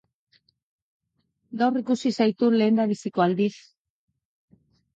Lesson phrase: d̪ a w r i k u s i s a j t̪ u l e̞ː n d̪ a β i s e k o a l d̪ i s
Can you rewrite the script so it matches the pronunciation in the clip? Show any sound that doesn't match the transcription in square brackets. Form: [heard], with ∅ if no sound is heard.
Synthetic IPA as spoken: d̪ a w r i k u s i s a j t̪ u l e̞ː n d̪ a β i s [i] k o a l d̪ i s